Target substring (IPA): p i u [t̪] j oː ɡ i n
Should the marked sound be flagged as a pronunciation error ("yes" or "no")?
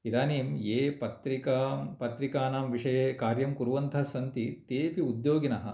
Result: yes